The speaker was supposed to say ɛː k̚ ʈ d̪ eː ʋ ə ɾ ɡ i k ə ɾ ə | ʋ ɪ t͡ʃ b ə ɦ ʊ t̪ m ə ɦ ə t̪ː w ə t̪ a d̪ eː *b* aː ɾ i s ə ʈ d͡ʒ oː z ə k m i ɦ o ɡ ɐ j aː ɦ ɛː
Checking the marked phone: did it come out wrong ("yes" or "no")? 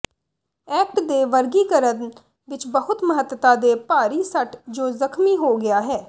yes